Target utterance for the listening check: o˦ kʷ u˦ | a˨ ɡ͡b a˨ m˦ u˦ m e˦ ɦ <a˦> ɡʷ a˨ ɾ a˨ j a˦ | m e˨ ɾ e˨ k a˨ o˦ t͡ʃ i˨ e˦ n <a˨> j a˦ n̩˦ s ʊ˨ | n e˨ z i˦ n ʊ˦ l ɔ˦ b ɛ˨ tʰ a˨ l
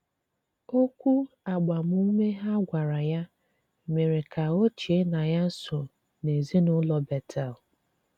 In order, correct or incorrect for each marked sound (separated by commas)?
correct, correct